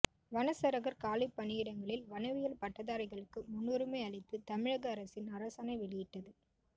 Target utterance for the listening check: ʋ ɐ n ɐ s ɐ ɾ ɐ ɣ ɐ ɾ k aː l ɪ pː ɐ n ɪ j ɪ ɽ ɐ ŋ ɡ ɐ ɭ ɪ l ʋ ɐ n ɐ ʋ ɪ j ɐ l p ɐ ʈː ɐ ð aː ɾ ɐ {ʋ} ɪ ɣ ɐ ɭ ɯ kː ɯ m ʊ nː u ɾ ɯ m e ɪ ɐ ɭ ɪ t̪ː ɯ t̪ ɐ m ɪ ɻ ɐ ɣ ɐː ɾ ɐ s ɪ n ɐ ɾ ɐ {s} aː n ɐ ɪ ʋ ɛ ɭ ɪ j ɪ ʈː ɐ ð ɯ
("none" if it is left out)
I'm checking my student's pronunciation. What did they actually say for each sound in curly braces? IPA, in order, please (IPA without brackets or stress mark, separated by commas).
none, s